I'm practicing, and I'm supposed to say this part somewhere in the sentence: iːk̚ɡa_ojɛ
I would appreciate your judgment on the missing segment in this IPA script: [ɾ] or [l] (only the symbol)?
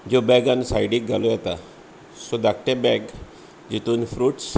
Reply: l